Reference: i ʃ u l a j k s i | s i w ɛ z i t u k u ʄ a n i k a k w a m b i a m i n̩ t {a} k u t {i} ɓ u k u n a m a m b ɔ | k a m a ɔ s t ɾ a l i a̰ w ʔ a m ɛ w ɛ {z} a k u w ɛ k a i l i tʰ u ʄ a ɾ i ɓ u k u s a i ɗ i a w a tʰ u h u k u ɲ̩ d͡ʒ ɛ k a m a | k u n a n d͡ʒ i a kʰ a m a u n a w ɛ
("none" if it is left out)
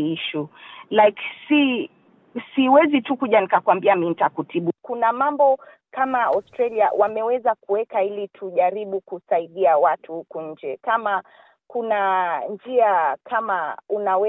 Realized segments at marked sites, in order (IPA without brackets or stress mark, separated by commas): a, i, z